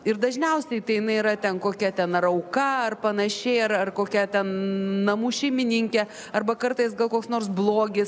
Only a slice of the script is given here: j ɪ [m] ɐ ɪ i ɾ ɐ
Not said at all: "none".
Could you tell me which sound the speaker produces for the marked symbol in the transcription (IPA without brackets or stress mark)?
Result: n